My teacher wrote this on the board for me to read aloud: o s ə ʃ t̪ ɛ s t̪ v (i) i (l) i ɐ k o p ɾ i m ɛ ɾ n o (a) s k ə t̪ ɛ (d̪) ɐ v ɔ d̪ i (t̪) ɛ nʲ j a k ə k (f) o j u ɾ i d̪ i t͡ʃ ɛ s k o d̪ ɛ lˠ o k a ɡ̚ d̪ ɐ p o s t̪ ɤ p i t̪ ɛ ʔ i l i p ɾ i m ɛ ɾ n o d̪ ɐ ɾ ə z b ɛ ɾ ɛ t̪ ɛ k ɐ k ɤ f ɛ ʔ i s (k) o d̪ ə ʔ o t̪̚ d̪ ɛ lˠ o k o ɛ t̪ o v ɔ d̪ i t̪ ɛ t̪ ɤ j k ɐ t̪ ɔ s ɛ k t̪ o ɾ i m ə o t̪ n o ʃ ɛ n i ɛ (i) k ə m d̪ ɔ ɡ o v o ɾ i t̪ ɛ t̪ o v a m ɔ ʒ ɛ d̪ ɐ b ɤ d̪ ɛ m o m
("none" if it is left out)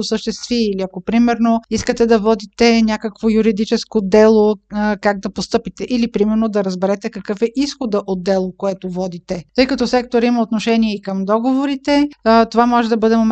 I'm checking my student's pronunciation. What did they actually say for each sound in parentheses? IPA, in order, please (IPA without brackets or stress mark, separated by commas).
i, l, i, d̪, t̪, v, x, i